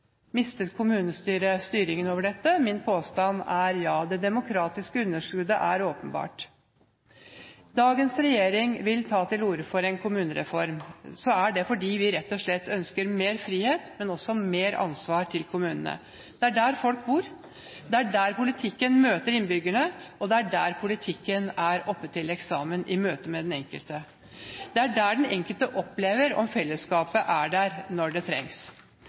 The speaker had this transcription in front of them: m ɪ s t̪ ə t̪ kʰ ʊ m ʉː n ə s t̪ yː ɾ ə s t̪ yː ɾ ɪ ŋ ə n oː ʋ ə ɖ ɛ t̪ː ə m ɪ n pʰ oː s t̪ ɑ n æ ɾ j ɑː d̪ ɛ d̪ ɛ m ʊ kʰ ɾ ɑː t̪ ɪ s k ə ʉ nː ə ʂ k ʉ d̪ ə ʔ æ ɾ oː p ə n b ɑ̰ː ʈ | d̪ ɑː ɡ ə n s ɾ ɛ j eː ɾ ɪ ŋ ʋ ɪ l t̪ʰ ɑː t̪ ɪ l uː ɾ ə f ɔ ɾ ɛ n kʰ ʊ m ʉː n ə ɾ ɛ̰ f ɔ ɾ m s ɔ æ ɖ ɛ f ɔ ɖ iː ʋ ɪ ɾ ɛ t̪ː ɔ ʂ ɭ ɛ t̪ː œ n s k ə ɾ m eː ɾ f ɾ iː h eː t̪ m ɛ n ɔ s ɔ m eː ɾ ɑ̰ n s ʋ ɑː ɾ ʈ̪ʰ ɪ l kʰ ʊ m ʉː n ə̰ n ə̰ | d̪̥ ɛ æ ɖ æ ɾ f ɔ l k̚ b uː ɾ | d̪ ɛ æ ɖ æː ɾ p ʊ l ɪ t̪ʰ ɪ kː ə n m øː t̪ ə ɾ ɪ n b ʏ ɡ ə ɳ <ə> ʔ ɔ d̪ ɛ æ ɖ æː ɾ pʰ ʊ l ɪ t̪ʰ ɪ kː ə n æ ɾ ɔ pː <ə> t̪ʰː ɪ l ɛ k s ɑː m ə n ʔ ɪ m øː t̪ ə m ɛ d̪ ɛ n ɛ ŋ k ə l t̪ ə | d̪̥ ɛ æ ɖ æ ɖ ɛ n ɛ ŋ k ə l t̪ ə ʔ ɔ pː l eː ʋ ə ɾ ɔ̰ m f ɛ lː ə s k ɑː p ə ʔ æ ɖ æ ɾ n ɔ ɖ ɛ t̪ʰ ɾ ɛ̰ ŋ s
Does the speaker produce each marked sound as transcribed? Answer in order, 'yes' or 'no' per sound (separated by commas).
yes, yes